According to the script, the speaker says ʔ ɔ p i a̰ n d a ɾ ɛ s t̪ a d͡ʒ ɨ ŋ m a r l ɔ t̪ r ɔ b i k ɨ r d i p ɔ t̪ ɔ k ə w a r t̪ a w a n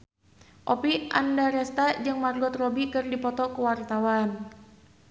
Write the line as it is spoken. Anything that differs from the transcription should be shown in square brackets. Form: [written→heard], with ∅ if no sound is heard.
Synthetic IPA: ʔ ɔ p i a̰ n d a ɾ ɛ s t̪ a d͡ʒ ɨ ŋ m a r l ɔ t̪ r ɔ b i k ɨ r d i p ɔ t̪ ɔ k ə w a r t̪ a w a n